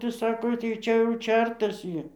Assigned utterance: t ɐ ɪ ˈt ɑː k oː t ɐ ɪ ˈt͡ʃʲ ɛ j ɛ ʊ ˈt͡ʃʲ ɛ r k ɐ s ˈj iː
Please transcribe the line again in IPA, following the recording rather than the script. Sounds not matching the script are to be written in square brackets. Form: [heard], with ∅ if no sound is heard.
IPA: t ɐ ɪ [ˈs] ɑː k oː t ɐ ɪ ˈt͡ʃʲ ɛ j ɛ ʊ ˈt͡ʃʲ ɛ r [t] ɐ s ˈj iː